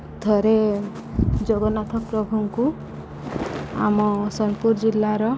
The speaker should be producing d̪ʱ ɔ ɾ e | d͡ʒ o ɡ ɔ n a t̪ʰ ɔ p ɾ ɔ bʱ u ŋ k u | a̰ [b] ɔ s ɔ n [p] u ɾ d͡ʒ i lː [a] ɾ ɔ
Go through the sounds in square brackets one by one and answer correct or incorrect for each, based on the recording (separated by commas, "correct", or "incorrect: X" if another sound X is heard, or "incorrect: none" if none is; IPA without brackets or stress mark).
incorrect: m, correct, correct